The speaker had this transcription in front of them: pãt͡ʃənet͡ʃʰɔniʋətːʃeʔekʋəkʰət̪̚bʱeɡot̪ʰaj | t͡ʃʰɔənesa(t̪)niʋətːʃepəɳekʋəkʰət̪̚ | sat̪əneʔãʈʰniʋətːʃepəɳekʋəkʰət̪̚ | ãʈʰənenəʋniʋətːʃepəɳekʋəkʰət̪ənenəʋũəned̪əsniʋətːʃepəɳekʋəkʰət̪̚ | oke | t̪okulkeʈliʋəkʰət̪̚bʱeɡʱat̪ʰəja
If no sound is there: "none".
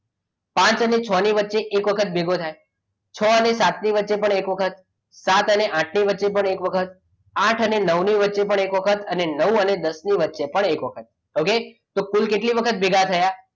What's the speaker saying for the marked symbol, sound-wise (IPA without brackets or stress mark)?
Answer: t̪